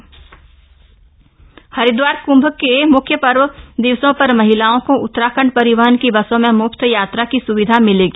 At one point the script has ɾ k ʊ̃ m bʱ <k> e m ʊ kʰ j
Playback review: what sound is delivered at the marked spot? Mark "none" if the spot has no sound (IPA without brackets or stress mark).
k